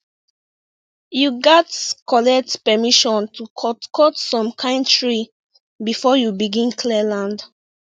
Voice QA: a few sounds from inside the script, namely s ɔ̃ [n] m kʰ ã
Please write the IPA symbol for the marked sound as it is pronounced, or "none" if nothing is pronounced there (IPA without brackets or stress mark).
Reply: none